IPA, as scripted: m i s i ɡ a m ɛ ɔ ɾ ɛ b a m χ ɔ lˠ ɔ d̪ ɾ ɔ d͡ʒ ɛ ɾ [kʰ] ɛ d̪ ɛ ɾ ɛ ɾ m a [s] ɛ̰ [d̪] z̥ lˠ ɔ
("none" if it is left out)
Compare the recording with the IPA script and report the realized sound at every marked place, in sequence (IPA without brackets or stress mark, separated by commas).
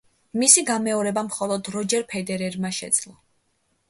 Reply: pʰ, ʃ, d̪